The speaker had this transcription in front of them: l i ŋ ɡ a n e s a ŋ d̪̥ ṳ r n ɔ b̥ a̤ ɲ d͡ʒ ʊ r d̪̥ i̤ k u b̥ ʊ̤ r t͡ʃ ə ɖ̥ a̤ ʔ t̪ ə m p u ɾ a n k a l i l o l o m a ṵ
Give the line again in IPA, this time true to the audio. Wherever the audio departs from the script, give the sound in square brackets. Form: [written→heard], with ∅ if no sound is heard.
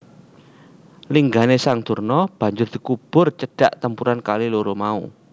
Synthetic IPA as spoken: l i ŋ ɡ a n e s a ŋ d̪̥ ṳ r n ɔ b̥ a̤ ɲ d͡ʒ ʊ r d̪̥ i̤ k u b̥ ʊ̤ r t͡ʃ ə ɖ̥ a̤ ʔ t̪ ə m p u ɾ a n k a l i l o [l→ɾ] o m a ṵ